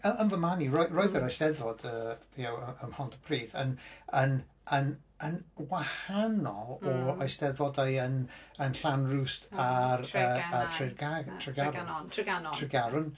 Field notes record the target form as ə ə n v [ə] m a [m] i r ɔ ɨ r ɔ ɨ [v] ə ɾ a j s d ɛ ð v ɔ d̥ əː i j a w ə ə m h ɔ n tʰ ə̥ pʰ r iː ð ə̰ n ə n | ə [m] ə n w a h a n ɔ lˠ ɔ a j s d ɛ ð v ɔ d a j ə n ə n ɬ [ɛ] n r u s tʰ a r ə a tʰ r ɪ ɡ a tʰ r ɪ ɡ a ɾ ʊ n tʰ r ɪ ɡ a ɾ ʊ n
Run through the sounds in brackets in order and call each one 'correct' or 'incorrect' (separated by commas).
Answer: correct, incorrect, incorrect, incorrect, incorrect